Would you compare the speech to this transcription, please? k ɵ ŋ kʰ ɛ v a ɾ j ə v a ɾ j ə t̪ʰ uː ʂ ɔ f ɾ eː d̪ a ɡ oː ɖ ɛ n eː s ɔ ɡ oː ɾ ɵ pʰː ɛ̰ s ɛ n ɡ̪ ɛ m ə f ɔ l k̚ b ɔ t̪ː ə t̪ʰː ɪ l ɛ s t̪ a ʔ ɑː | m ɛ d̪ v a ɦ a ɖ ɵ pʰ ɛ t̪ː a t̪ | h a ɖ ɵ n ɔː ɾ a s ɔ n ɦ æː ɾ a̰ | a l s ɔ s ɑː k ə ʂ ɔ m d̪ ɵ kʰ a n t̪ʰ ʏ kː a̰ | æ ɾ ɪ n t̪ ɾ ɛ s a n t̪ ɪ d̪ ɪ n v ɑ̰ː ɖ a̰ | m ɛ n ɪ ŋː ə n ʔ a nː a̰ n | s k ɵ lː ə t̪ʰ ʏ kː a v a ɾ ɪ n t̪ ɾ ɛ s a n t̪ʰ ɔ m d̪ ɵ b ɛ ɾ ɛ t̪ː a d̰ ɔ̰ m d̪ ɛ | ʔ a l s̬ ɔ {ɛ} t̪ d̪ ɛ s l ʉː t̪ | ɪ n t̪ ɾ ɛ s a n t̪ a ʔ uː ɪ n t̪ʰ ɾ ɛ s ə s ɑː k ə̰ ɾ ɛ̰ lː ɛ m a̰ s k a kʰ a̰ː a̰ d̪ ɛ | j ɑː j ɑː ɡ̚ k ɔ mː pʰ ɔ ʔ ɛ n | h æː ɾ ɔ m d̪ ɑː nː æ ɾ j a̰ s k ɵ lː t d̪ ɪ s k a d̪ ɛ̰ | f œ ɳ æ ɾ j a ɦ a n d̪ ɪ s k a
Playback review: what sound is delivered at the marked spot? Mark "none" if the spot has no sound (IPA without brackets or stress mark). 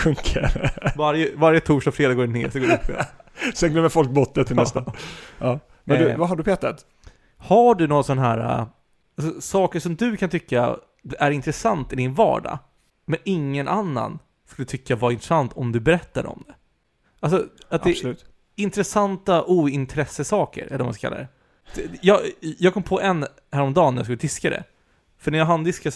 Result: a